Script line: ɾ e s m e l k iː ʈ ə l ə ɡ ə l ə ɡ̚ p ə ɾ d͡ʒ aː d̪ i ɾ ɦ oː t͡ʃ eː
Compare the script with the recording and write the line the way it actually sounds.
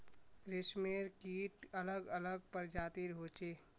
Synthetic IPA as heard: ɾ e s m e ɾ k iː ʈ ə l ə ɡ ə l ə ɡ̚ p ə ɾ d͡ʒ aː t̪ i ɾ ɦ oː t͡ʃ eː